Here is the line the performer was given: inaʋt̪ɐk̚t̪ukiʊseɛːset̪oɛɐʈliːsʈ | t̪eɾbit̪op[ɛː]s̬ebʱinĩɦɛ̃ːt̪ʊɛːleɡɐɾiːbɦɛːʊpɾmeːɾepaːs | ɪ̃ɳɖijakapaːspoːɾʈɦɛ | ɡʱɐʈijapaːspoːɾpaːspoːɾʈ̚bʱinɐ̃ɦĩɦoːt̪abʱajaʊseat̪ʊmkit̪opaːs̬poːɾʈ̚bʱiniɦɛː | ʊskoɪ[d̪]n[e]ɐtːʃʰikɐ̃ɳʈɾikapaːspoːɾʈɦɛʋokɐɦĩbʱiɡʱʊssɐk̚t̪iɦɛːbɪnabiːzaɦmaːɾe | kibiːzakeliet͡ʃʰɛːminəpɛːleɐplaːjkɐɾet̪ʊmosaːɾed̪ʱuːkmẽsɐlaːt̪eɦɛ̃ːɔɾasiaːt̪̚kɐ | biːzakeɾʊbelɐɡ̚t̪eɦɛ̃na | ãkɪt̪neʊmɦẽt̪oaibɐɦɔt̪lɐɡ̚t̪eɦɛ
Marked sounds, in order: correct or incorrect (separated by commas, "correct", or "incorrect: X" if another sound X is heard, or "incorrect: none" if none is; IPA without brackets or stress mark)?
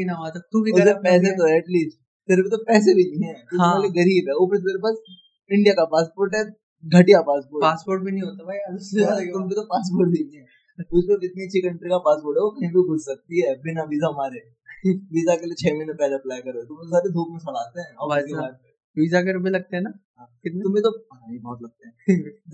correct, incorrect: t̪, incorrect: i